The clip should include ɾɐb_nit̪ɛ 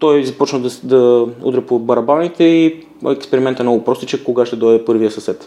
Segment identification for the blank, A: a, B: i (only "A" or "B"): A